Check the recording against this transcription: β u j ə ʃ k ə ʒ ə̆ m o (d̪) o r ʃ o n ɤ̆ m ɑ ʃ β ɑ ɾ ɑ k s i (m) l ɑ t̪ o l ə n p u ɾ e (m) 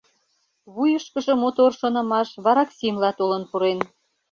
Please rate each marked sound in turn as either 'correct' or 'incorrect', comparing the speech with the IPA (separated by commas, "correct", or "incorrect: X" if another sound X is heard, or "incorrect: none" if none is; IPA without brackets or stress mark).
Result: incorrect: t̪, correct, incorrect: n